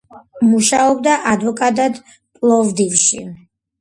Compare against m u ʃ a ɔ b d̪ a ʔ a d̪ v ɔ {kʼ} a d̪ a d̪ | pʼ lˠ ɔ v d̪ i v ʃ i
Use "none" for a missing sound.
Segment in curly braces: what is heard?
kʼ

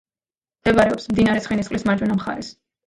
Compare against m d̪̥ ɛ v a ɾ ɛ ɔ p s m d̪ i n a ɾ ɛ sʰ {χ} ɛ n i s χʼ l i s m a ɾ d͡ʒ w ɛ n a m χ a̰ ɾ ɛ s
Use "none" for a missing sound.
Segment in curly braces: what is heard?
χ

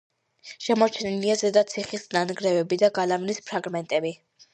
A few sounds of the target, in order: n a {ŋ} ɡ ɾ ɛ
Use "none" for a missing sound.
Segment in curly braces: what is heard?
n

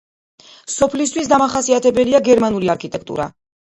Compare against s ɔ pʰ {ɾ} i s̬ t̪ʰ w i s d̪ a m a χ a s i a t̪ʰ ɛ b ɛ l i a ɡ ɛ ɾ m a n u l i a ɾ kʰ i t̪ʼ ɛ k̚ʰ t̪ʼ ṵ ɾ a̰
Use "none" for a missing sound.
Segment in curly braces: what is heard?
l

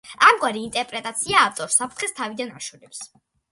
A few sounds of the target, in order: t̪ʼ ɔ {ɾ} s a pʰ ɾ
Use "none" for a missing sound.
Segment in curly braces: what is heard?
ɾ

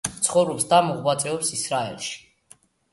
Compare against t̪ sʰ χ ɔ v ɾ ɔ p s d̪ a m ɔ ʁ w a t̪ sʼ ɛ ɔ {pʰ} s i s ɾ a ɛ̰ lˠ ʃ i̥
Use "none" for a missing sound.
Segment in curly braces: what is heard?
p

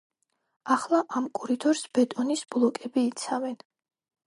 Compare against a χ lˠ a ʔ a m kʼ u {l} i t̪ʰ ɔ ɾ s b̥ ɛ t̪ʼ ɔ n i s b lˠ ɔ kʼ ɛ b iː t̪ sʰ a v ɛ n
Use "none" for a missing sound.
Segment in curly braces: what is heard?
ɾ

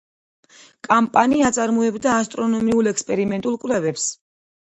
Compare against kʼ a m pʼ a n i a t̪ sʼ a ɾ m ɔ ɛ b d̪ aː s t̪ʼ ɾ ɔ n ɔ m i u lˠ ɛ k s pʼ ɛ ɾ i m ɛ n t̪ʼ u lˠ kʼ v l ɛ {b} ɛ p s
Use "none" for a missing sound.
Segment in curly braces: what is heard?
v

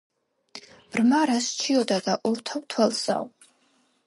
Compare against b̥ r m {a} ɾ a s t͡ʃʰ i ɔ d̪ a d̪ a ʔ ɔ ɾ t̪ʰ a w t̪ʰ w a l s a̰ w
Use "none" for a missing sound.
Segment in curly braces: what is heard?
a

